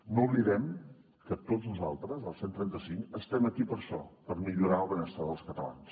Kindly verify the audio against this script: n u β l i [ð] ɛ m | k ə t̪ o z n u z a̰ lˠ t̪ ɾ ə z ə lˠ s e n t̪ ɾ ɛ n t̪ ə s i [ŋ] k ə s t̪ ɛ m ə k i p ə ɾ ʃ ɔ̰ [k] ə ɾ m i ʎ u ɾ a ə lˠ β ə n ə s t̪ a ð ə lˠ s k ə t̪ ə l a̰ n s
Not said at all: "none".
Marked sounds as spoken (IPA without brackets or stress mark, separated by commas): ð, ŋ, p